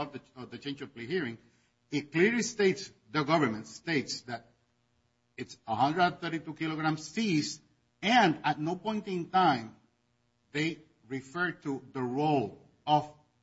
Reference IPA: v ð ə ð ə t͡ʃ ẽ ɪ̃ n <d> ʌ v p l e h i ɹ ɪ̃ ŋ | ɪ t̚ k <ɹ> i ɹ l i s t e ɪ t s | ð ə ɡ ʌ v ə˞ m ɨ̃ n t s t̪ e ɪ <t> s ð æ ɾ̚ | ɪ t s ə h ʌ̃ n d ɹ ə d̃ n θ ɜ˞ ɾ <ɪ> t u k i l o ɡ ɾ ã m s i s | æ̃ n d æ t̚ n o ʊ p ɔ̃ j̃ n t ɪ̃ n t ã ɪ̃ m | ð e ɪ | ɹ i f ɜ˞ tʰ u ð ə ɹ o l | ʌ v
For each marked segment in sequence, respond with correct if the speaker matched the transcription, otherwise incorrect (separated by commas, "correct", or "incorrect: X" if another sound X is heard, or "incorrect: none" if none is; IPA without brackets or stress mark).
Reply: incorrect: d͡ʒ, incorrect: l, correct, incorrect: i